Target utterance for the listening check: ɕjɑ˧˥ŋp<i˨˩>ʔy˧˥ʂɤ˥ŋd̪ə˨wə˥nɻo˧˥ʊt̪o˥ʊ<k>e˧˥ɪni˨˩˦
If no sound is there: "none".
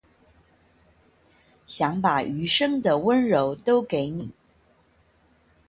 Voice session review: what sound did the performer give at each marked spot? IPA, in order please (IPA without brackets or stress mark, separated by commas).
a˨˩, k